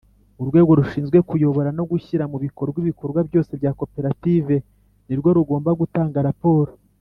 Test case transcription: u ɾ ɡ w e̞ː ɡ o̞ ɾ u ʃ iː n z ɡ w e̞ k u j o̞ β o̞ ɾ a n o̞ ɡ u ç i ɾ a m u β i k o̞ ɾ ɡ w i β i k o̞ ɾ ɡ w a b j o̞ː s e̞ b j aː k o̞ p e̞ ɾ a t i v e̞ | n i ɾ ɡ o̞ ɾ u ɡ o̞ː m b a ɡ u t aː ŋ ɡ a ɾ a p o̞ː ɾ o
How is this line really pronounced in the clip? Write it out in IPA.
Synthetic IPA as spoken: u ɾ ɡ w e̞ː ɡ o̞ ɾ u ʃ iː n z ɡ w e̞ k u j o̞ β o̞ ɾ a n o̞ ɡ u ç i ɾ a m u β i k o̞ ɾ ɡ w i β i k o̞ ɾ ɡ w a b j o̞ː s e̞ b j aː k o̞ p e̞ ɾ a t i v e̞ | n i ɾ ɡ o̞ ɾ u ɡ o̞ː m b a ɡ u t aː ŋ ɡ a ɾ a p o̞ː ɾ o

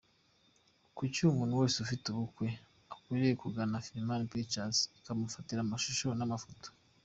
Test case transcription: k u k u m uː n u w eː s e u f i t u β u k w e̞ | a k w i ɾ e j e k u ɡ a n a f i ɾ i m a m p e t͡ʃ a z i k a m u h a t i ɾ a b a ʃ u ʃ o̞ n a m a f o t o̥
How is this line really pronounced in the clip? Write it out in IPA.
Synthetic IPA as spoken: k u c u m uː n u w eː s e u f i t u β u k w e̞ | a k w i ɾ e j e k u ɡ a n a f i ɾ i m a n p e t͡ʃ a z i k a m u f a t i ɾ a m a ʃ u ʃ o̞ n a m a f o t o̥

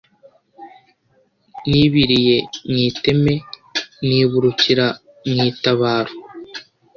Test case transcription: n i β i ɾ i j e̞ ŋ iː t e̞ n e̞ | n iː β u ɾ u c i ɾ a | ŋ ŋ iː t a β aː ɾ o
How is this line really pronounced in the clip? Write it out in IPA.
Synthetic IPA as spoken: n i β i ɾ i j e̞ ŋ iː t e̞ m e̞ | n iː β u ɾ u c i ɾ a | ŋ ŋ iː t a β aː ɾ o

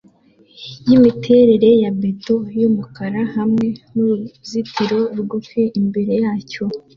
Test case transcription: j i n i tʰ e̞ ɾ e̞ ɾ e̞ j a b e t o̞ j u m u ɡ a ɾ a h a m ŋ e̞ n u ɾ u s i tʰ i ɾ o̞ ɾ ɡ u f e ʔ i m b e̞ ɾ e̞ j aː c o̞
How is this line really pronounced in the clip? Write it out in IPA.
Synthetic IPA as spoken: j i m i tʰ e̞ ɾ e̞ ɾ e̞ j a b e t o̞ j u m u k a ɾ a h a m ŋ e̞ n u ɾ u z i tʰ i ɾ o̞ ɾ ɡ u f e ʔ i m b e̞ ɾ e̞ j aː c o̞

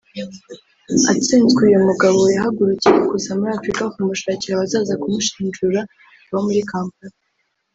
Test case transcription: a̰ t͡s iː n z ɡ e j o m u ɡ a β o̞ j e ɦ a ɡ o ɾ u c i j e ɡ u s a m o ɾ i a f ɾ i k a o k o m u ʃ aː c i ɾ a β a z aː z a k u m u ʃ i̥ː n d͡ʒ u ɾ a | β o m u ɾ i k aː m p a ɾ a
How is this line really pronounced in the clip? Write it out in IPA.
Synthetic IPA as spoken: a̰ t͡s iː n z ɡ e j o m u ɡ a β o̞ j a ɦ a ɡ u ɾ u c i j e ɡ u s a m u ɾ i a f ɾ i k a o k u m u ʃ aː c i ɾ a β a z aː z a k u m u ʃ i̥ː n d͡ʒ u ɾ a | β o m u ɾ i k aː m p a ɾ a

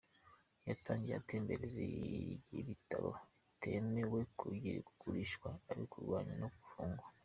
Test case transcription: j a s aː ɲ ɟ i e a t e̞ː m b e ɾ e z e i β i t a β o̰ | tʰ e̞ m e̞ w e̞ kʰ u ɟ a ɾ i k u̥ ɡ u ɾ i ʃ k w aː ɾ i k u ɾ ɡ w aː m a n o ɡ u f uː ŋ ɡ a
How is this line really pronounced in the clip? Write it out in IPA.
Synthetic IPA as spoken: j a t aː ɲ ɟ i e a t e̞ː m b e ɾ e z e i β i t a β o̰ | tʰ e̞ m e̞ w e̞ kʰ u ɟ i ɾ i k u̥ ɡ u ɾ i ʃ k w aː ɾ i k u ɾ ɡ w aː ɲ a n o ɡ u f uː ŋ ɡ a

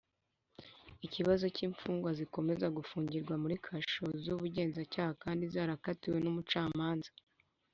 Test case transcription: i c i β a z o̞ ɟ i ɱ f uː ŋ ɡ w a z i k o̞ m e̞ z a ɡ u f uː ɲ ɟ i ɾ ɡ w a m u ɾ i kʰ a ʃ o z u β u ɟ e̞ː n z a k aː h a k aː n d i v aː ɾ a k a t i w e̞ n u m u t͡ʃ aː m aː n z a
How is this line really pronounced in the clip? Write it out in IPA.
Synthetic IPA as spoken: i c i β a z o̞ c i ɱ f uː ŋ ɡ w a z i k o̞ m e̞ z a ɡ u f uː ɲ ɟ i ɾ ɡ w a m u ɾ i kʰ a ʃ o z u β u ɟ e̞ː n z a c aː h a k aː n d i z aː ɾ a k a t i w e̞ n u m u t͡ʃ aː m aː n z a

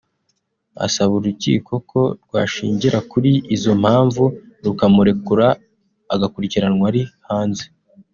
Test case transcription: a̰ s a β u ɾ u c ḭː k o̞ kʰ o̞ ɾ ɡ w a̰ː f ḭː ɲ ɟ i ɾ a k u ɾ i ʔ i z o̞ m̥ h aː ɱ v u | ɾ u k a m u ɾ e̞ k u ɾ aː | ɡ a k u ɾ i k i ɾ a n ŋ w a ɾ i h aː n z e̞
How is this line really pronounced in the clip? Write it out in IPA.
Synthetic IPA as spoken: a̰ s a β u ɾ u c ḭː k o̞ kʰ o̞ ɾ ɡ w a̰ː ʃ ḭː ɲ ɟ i ɾ a k u ɾ i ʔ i z o̞ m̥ h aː ɱ v u | ɾ u k a m u ɾ e̞ k u ɾ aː | ɡ a k u ɾ i c i ɾ a n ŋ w a ɾ i h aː n z e̞

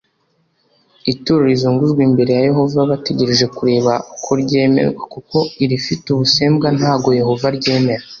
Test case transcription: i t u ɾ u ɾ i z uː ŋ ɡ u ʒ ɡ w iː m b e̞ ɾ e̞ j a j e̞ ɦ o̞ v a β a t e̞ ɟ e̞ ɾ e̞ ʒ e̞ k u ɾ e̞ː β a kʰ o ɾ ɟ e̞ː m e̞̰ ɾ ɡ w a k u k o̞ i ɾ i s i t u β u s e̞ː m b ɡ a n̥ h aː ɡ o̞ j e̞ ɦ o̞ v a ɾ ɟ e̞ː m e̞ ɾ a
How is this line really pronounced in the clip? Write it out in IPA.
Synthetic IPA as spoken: i t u ɾ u ɾ i z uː ŋ ɡ u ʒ ɡ w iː m b e̞ ɾ e̞ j a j e̞ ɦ o̞ v a β a t e̞ ɟ e̞ ɾ e̞ ʒ e̞ k u ɾ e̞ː β a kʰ o ɾ ɟ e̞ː m e̞̰ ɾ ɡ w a k u k o̞ i ɾ i f i t u β u s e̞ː m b ɡ a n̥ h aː ɡ o̞ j e̞ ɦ o̞ v a ɾ ɟ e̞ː m e̞ ɾ a

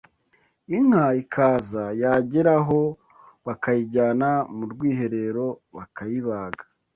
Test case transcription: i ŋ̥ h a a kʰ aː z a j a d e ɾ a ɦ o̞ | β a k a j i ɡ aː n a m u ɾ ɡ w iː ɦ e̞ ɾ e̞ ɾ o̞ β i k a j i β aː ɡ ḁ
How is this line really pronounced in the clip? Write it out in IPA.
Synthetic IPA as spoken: i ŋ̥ h a i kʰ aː z a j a ɟ e ɾ a ɦ o̞ | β a k a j i ɟ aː n a m u ɾ ɡ w iː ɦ e̞ ɾ e̞ ɾ o̞ β a k a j i β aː ɡ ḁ

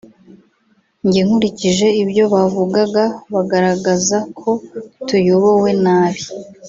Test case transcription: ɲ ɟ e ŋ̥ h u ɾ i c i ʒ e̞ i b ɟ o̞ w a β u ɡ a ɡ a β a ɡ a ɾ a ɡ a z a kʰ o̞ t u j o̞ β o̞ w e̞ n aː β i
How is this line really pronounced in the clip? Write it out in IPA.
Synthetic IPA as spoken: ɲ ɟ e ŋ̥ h u ɾ i c i ʒ e̞ i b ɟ o̞ β a v u ɡ a ɡ a β a ɡ a ɾ a ɡ a z a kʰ o̞ t u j o̞ β o̞ w e̞ n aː β i

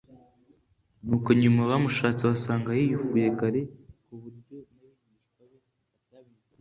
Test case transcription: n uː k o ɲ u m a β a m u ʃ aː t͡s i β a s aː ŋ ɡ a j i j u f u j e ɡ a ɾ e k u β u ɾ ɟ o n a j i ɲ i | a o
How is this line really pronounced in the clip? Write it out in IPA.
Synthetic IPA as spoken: n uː k o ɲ u m a β a m u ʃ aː t͡s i β a s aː ŋ ɡ a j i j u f u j e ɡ a ɾ e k u β u ɾ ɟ o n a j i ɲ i | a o

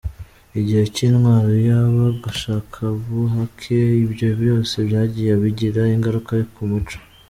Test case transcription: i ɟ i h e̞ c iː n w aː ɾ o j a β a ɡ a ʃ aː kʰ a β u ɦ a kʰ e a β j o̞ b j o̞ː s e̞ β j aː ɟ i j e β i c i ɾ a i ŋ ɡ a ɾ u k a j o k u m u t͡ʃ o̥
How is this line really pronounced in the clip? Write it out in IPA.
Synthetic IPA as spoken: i ɟ i h e̞ c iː n w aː ɾ o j a β a ɡ a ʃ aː kʰ a β u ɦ a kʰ e i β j o̞ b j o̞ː s e̞ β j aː ɟ i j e β i ɟ i ɾ a i ŋ ɡ a ɾ u k a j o k u m u t͡ʃ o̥

